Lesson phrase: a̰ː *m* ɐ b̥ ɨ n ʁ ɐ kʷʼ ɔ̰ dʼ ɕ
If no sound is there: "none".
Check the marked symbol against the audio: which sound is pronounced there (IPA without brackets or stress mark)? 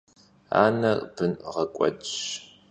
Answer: n